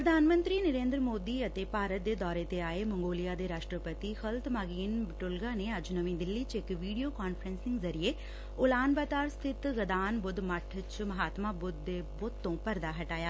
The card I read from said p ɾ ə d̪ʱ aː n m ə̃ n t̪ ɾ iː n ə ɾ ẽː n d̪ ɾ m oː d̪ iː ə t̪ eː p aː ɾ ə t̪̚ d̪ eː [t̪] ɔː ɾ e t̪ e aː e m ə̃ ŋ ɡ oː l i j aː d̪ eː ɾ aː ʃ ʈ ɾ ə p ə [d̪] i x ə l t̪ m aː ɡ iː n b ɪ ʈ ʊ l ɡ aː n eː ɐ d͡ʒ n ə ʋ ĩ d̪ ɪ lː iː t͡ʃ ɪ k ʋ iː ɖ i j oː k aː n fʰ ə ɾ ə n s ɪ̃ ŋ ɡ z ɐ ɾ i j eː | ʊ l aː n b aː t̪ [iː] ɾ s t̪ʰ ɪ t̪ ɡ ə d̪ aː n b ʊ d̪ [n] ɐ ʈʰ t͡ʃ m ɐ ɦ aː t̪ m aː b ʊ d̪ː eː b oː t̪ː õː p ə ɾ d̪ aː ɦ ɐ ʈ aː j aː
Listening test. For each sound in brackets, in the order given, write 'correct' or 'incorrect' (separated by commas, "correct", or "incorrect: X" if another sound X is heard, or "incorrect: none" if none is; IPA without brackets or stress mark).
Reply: incorrect: d̪, incorrect: t̪, incorrect: aː, incorrect: m